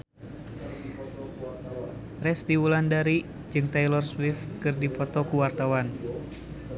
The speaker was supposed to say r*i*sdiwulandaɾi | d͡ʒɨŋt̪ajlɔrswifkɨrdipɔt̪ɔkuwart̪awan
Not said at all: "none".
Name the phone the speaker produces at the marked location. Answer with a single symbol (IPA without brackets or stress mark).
ɛ